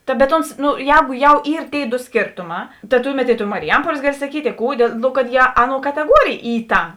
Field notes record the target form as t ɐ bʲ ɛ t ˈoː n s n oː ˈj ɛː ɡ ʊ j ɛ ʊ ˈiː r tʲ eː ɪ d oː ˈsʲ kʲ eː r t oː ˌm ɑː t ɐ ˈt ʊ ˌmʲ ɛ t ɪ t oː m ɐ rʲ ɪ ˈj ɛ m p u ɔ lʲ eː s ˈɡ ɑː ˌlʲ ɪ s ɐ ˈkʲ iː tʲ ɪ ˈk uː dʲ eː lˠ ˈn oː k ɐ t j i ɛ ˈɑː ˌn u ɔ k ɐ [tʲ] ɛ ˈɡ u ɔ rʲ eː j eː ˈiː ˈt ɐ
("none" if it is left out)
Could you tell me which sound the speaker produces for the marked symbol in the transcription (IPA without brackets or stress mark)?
tʲ